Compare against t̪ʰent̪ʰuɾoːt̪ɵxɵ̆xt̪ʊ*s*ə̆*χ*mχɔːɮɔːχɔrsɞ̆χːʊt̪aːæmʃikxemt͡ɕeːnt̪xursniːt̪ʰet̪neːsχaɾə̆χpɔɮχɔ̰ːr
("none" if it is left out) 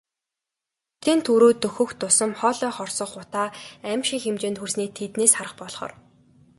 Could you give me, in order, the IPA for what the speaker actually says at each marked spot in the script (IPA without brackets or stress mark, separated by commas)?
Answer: s, none